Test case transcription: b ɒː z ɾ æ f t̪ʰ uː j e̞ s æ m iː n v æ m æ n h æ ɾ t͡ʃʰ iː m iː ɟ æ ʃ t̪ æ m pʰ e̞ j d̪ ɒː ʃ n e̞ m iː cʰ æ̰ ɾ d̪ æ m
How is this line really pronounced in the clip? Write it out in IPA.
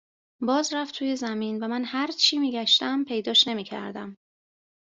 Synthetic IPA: b ɒː z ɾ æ f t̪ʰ uː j e̞ z æ m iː n v æ m æ n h æ ɾ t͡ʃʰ iː m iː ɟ æ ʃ t̪ æ m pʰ e̞ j d̪ ɒː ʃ n e̞ m iː cʰ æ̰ ɾ d̪ æ m